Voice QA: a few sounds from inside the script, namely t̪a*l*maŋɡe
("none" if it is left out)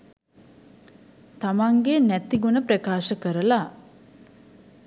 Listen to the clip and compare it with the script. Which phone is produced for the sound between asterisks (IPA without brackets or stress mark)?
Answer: none